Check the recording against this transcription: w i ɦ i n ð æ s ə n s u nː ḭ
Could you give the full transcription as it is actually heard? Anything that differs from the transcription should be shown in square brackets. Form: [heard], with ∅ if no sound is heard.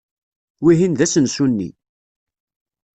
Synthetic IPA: w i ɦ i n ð æ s ə n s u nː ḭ